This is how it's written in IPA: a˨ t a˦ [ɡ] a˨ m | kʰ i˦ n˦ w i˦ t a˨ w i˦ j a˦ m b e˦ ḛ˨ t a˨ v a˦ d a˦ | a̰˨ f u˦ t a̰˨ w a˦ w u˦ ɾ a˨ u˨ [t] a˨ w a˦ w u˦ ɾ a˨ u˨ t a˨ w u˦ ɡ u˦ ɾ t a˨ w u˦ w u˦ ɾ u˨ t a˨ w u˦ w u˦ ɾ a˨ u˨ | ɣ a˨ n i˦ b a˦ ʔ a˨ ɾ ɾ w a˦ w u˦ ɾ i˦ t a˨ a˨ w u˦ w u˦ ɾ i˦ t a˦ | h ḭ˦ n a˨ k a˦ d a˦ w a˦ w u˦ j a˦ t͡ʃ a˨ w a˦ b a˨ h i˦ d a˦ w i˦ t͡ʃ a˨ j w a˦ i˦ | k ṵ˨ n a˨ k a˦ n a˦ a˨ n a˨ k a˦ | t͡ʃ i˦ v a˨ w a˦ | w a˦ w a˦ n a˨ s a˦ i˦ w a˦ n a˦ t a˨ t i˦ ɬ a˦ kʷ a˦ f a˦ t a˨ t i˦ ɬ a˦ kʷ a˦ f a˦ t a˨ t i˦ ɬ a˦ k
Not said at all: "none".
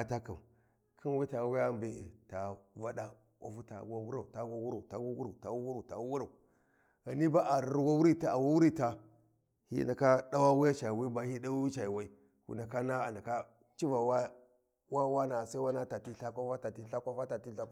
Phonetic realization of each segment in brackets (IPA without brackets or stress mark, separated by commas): k, t